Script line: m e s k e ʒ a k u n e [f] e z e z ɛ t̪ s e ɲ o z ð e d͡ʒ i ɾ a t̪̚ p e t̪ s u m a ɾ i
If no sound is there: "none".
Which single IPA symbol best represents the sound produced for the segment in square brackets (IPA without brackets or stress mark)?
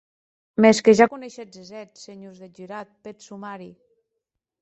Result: ʃ